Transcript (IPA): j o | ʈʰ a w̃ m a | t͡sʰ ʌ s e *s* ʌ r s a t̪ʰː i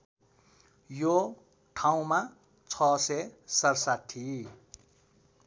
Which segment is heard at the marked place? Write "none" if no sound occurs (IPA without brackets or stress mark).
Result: s